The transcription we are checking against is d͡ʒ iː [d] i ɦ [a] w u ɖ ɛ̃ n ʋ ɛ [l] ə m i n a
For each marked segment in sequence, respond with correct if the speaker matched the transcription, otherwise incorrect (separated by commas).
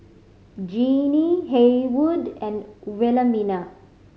incorrect, incorrect, correct